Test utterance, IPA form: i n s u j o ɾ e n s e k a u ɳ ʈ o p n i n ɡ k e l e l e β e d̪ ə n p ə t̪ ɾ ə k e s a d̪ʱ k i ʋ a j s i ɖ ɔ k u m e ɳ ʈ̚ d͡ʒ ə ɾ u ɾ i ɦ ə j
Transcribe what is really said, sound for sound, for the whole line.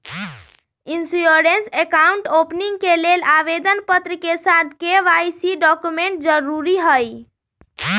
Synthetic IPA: i n s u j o ɾ e n s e k a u ɳ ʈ o p n i ŋ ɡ k e l e l a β e d̪ ə n p ə t̪ ɾ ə k e s a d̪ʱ k e ʋ a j s i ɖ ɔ k u m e ɳ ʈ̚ d͡ʒ ə ɾ u ɾ i ɦ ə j

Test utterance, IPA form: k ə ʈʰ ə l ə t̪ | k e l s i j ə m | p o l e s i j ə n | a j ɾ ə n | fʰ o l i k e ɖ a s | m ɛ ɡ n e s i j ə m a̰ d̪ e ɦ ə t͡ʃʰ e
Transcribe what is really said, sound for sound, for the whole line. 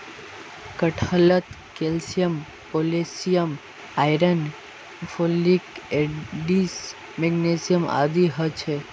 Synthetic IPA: k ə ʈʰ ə l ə t̪ | k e l s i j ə m | p o l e s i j ə m | a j ɾ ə n | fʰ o l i k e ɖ i s | m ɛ ɡ n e s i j ə m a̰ d̪ i ɦ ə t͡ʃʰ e

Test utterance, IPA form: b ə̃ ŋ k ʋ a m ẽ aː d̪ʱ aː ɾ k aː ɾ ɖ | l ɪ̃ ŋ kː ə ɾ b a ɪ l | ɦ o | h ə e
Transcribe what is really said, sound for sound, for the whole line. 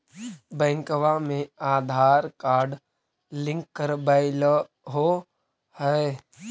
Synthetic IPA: b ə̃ ŋ k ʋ a m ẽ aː d̪ʱ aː ɾ k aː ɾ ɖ | l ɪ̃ ŋ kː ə ɾ b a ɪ l | ɦ o | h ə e

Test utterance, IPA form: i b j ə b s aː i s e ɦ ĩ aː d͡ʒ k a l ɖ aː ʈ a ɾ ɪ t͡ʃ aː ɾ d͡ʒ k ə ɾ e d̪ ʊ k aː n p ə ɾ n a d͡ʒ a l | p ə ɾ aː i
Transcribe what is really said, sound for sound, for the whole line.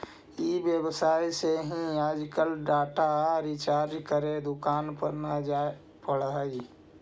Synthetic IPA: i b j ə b s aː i s e ɦ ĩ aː d͡ʒ k ə l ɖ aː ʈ a ɾ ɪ t͡ʃ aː ɾ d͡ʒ k ə ɾ e d̪ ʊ k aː n p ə ɾ n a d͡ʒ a | p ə ɽ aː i

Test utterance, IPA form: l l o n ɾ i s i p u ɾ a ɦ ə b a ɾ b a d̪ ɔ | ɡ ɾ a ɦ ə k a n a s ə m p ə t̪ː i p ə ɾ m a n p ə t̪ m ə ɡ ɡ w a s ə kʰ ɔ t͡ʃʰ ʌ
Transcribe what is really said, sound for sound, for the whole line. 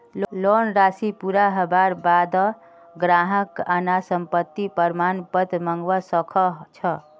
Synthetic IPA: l l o n ɾ a s i p u ɾ a ɦ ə b a ɾ b a d̪ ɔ | ɡ ɾ a ɦ ə k a n a s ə m p ə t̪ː i p ə ɾ m a n p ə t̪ m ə ŋ ɡ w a s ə kʰ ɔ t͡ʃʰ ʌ

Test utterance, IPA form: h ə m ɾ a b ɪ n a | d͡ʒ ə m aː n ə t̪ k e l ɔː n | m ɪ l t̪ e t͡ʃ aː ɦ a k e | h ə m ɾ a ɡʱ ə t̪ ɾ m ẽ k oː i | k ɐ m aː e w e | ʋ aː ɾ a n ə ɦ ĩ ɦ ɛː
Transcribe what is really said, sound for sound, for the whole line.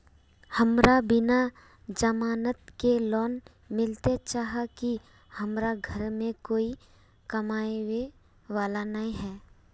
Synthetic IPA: h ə m ɾ a b ɪ n a | d͡ʒ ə m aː n ə t̪ k e l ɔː n | m ɪ l t̪ e t͡ʃ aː ɦ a k i | h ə m ɾ a ɡʱ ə ɾ m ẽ k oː i | k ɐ m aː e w e | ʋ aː l a n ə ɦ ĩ ɦ ɛː

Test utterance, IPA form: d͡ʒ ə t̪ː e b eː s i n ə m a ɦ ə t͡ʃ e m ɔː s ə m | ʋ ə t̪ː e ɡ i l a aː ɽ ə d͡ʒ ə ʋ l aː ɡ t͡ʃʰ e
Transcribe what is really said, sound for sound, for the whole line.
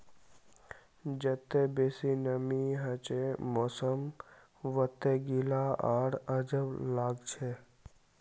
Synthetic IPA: d͡ʒ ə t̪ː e b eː s i n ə m i ɦ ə t͡ʃ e m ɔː s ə m | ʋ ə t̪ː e ɡ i l a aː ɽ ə d͡ʒ ə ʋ l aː ɡ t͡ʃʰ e

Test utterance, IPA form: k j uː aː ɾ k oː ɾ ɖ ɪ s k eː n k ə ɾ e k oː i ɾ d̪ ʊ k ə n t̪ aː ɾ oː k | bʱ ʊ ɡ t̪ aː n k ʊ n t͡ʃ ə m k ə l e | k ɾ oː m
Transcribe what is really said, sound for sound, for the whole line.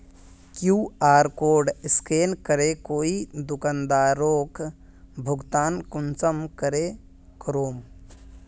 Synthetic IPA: k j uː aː ɾ k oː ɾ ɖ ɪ s k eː n k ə ɾ e k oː i d̪ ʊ k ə n d̪ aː ɾ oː k | bʱ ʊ ɡ t̪ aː n k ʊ n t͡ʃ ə m k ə ɾ e | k ɾ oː m

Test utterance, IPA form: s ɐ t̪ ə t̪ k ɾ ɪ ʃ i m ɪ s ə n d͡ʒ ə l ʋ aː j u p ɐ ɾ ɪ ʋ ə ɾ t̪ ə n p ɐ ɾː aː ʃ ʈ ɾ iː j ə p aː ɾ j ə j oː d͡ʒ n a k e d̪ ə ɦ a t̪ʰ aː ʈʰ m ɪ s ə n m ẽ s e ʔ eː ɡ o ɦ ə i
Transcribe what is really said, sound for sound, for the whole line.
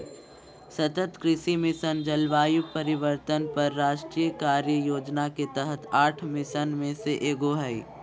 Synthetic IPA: s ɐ t̪ ə t̪ k ɾ ɪ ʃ i m ɪ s ə n d͡ʒ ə l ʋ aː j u p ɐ ɾ ɪ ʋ ə ɾ t̪ ə n p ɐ ɾː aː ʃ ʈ ɾ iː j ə k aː ɾ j ə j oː d͡ʒ n a k e t̪ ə ɦ ə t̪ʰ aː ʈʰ m ɪ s ə n m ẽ s e ʔ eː ɡ o ɦ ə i

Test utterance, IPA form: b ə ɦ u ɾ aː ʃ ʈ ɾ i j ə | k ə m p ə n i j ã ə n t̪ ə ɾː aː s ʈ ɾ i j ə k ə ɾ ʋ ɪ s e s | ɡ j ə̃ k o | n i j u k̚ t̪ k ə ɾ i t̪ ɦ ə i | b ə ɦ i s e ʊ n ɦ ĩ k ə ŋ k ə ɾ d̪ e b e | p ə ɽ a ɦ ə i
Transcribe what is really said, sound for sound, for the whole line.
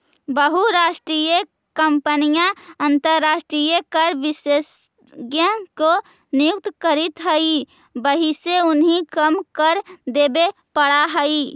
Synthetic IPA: b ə ɦ u ɾ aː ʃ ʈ ɾ i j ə | k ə m p ə n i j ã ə n t̪ ə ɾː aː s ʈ ɾ i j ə k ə ɾ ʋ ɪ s e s | ɡ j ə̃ k o | n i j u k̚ t̪ k ə ɾ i t̪ ɦ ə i | b ə ɦ i s e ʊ n ɦ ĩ k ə m k ə ɾ d̪ e b e | p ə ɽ a ɦ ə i

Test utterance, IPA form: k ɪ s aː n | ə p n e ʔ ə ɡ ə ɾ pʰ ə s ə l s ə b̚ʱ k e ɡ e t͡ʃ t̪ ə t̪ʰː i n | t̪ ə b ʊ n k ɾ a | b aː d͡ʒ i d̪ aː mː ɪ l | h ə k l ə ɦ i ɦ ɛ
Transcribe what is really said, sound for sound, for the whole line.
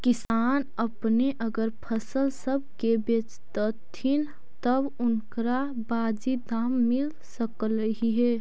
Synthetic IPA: k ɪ s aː n | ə p n e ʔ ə ɡ ə ɾ pʰ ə s ə l s ə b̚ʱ k e b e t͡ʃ t̪ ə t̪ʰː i n | t̪ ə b ʊ n k ɾ a | b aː d͡ʒ i d̪ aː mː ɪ l | s ə k l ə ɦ i ɦ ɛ

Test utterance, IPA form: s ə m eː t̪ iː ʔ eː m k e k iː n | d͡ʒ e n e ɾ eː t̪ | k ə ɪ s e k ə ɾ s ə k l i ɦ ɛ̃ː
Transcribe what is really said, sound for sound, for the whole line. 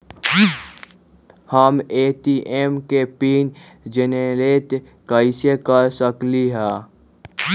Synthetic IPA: h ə m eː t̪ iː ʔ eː m k e p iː n | d͡ʒ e n e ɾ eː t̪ | k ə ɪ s e k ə ɾ s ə k l i ɦ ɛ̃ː

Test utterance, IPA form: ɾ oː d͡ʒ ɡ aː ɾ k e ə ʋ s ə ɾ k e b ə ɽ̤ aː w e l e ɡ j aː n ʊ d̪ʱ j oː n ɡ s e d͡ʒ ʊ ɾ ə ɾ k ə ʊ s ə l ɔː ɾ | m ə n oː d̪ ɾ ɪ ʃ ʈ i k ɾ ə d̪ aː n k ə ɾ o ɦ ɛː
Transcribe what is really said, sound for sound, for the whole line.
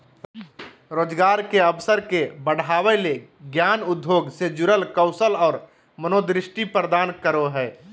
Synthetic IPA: ɾ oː d͡ʒ ɡ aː ɾ k e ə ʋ s ə ɾ k e b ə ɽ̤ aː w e l e ɡ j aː n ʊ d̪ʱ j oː ɡ s e d͡ʒ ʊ ɾ ə l k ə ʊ s ə l ɔː ɾ | m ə n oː d̪ ɾ ɪ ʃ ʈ i p ɾ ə d̪ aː n k ə ɾ o ɦ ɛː

